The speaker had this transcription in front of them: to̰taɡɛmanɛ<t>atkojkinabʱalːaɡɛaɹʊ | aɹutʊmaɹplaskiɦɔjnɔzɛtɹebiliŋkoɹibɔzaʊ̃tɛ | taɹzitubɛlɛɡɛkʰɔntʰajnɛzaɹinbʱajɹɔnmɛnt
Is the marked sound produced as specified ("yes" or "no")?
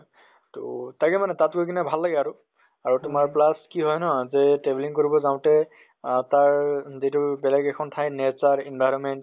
yes